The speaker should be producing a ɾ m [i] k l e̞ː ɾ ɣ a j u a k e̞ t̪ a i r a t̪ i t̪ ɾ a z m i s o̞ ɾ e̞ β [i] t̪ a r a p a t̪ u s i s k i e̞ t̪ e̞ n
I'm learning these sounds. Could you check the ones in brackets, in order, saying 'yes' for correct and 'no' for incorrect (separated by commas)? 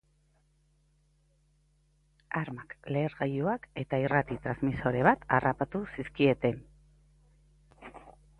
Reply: no, no